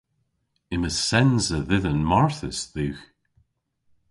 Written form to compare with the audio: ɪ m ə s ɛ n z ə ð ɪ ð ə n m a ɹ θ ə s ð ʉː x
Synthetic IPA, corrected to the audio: ɪ m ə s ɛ n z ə ð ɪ ð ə n m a ɹ θ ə s ð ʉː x